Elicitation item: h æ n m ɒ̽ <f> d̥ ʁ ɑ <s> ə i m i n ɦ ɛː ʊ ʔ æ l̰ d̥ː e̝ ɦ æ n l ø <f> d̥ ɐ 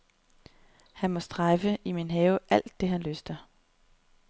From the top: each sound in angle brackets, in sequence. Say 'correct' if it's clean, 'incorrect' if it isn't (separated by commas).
incorrect, incorrect, incorrect